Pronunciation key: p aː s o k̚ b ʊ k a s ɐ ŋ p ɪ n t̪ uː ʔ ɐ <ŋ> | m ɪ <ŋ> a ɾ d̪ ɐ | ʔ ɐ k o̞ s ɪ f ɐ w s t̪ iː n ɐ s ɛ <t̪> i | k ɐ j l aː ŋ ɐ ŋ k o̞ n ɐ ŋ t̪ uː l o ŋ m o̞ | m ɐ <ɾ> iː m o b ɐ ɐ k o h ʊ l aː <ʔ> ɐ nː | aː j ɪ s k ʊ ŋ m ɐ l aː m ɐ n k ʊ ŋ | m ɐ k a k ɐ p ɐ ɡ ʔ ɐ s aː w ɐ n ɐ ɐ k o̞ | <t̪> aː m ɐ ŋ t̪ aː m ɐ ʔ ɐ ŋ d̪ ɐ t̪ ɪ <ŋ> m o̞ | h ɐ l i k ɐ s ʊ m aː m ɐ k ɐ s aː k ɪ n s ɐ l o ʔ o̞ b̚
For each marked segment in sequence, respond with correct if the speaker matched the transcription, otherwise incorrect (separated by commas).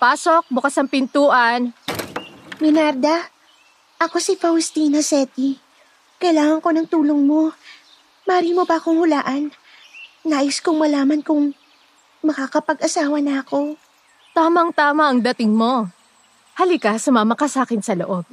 incorrect, incorrect, correct, correct, correct, correct, correct